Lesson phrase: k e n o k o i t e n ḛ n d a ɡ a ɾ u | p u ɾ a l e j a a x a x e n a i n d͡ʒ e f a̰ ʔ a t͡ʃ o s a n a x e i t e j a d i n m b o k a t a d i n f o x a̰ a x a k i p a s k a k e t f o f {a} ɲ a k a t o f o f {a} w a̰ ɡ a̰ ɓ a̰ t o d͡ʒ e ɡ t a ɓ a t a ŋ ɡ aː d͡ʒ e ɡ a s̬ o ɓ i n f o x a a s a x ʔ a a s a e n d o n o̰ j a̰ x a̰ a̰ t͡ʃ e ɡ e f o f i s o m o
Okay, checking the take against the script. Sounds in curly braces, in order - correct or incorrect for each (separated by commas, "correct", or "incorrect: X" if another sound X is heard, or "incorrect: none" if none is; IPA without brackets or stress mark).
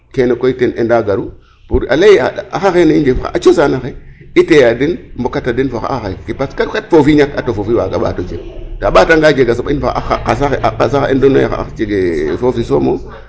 incorrect: i, incorrect: i